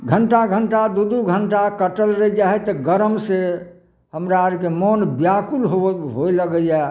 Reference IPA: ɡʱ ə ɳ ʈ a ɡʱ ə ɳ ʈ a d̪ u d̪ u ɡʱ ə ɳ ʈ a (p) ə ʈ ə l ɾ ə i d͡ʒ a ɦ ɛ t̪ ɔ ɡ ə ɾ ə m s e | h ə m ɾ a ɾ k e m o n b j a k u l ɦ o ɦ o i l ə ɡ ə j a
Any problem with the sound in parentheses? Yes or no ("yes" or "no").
yes